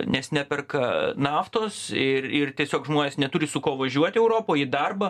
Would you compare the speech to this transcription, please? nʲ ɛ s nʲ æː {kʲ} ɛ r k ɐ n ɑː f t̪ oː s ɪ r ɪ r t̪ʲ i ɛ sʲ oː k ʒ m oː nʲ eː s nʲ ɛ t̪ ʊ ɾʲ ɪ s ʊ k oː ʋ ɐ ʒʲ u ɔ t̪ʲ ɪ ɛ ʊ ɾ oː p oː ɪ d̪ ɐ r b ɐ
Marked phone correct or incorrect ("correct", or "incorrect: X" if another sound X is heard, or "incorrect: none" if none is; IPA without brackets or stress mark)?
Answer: incorrect: pʲ